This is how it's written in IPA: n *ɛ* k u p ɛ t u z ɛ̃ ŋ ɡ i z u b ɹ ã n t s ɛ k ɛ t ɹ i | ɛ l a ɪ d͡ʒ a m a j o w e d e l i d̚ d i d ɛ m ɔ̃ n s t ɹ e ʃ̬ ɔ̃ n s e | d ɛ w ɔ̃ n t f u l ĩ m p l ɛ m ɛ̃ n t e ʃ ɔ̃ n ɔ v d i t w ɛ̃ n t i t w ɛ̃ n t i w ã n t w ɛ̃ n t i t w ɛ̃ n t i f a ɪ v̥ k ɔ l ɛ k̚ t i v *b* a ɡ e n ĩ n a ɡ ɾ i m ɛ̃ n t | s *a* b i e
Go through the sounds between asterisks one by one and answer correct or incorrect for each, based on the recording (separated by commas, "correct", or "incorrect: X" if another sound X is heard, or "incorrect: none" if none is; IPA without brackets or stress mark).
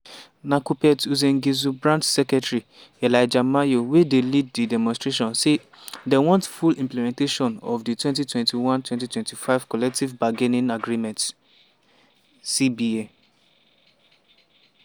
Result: incorrect: a, correct, incorrect: i